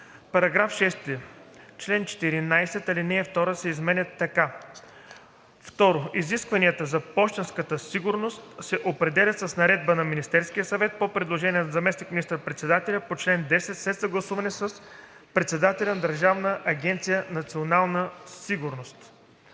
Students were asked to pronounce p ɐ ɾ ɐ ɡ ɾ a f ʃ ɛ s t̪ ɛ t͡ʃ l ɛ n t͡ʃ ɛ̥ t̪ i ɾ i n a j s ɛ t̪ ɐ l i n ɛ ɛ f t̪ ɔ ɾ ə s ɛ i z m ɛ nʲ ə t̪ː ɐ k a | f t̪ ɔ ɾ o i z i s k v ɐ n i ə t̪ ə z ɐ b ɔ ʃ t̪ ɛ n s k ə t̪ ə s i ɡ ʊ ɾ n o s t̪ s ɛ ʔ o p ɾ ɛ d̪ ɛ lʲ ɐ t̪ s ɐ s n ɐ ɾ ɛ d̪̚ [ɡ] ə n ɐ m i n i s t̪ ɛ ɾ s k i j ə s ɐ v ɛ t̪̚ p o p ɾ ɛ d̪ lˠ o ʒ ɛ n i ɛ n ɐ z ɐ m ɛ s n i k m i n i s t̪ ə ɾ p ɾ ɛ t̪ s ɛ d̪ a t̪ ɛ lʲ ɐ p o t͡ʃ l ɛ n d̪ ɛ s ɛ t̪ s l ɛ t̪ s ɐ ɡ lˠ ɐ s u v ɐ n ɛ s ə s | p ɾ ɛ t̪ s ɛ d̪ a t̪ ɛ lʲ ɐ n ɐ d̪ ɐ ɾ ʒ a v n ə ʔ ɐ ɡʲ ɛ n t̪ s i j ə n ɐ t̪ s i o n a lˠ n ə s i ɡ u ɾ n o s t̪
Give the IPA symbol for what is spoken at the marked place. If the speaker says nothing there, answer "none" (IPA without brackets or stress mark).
b